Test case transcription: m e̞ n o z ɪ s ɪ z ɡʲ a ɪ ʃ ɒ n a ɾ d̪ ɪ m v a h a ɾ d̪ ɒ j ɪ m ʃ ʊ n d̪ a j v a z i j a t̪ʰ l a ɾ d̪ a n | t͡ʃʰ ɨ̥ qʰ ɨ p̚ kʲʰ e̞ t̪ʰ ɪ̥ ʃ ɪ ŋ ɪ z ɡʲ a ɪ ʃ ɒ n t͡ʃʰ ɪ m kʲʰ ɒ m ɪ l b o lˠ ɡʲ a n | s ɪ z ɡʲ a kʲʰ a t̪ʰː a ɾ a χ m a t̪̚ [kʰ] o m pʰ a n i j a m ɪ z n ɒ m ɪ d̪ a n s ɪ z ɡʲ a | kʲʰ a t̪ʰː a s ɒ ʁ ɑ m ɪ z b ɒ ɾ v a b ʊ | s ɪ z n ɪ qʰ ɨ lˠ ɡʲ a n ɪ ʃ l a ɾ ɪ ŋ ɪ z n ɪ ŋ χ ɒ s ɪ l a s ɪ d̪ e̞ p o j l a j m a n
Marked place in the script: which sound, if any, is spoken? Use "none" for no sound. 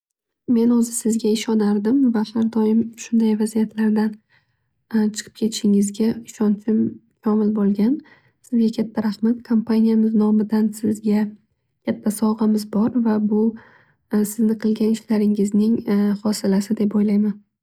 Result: kʰ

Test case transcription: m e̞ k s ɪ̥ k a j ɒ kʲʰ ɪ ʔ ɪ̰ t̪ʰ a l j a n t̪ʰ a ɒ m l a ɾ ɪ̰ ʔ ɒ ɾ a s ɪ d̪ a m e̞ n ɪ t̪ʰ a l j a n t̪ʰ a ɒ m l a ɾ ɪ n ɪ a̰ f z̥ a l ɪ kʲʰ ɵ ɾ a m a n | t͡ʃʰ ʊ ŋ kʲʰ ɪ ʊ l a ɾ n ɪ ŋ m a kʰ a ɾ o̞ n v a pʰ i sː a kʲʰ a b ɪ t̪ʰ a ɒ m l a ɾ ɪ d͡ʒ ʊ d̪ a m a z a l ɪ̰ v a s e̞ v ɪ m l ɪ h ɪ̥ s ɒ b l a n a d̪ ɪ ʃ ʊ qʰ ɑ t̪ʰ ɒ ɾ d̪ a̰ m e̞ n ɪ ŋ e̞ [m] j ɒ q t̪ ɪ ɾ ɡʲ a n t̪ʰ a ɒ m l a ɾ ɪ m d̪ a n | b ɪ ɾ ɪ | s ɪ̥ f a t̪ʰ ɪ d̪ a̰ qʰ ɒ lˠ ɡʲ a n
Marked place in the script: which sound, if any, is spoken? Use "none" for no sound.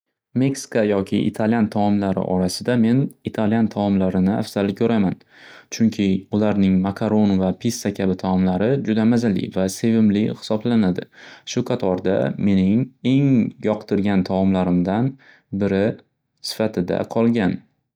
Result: ŋ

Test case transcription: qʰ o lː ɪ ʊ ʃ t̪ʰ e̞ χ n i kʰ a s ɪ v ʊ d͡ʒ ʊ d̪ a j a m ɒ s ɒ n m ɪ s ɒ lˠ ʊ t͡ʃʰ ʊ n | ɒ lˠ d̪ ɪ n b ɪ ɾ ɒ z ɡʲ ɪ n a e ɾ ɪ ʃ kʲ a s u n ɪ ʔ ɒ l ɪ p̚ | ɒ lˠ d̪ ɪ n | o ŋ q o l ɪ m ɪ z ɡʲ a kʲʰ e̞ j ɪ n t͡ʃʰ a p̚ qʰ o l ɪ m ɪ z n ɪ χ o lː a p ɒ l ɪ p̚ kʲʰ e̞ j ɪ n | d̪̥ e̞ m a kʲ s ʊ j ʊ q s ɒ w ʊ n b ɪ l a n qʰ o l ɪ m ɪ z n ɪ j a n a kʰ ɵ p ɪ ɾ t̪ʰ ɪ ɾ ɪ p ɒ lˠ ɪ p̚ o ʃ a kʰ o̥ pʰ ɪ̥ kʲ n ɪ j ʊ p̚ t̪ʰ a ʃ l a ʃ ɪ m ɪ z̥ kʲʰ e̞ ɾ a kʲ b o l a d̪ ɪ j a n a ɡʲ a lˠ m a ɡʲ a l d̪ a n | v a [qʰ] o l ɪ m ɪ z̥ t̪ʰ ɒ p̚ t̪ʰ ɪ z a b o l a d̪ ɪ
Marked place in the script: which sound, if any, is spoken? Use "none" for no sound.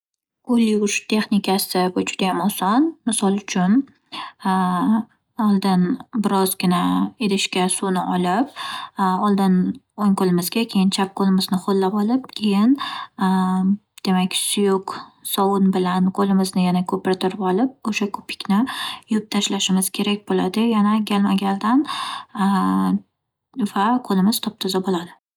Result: qʰ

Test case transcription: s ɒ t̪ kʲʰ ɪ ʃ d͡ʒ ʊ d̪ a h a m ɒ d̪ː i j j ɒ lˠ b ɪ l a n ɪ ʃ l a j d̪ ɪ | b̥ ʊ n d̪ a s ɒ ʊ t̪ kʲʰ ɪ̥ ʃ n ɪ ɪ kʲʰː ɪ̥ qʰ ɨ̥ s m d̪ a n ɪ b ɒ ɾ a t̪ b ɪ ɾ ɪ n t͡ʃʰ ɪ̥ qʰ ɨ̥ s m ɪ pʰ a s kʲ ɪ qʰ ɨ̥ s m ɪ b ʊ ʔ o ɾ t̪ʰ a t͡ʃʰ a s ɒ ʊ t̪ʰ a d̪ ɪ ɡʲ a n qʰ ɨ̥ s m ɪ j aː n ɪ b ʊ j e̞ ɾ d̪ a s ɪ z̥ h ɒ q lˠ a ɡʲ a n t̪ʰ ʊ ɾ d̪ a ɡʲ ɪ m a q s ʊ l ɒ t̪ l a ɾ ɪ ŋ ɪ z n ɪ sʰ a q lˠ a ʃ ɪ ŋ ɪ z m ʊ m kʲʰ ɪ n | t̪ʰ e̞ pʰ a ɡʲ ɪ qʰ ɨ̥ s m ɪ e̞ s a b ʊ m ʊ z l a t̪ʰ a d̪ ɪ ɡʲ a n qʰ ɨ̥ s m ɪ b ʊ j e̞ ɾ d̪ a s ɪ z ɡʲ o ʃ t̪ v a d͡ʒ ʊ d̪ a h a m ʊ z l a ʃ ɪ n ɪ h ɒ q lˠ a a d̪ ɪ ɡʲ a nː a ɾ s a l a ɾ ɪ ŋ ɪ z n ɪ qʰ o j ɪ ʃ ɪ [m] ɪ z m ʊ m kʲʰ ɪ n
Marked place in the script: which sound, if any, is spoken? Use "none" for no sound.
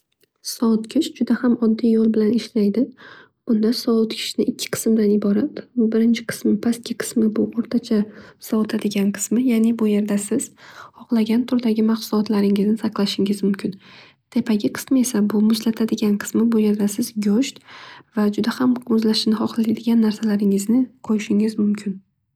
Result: ŋ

